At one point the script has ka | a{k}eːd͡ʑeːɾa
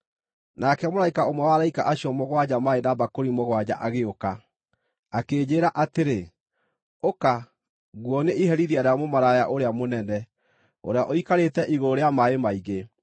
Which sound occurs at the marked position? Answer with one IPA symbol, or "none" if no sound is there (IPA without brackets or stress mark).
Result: k